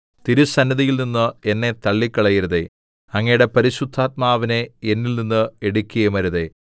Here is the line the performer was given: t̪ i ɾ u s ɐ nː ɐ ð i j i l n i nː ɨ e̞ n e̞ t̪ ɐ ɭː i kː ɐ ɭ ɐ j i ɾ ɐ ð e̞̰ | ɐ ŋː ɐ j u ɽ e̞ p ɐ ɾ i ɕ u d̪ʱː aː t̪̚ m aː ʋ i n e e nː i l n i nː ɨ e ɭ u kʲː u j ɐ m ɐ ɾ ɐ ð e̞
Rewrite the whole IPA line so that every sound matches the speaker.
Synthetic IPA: t̪ i ɾ u s ɐ nː ɐ ð i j i l n i nː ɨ e̞ nː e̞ t̪ ɐ ɭː i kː ɐ ɭ ɐ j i ɾ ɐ ð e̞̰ | ɐ ŋː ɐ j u ɽ e̞ p ɐ ɾ i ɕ u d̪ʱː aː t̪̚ m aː ʋ i n e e nː i l n i nː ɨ e ɽ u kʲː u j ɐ m ɐ ɾ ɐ ð e̞